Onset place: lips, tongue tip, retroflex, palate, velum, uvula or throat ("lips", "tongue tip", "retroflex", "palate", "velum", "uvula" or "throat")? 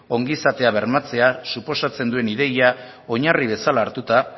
velum